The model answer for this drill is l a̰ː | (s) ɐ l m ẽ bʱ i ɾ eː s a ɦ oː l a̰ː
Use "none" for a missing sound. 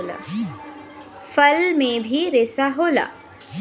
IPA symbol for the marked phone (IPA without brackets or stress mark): f